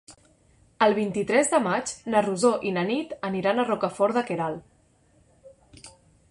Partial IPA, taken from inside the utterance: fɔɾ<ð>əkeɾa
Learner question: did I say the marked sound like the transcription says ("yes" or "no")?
yes